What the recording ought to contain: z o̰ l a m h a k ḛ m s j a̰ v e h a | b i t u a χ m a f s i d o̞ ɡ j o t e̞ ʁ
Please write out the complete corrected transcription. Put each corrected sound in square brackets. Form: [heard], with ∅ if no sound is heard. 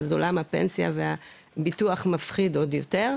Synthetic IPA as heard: z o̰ l a m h a [p] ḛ [n] s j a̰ v e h a | b i t u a χ m a f [χ] i d o̞ [d] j o t e̞ ʁ